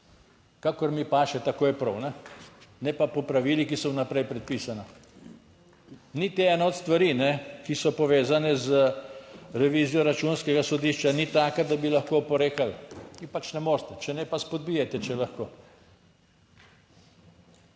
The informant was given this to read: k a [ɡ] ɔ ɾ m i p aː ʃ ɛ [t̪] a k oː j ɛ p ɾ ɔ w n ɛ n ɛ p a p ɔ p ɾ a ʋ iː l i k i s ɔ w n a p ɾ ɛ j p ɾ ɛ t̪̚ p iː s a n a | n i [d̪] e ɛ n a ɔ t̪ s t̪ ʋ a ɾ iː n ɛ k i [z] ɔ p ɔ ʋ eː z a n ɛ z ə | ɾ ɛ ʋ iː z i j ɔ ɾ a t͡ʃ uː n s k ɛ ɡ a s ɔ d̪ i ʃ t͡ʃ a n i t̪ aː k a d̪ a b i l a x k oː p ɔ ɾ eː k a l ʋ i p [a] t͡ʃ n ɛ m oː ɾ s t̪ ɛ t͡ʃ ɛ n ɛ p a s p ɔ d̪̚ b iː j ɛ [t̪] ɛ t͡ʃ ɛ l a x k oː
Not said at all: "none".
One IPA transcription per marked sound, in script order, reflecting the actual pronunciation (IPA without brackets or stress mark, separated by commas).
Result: k, t̪, t̪, s, a, t̪